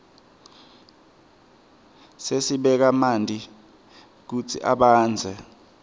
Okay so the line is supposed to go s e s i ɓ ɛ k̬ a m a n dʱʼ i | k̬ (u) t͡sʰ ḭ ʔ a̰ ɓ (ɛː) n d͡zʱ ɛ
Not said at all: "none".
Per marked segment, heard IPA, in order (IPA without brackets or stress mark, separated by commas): u, aː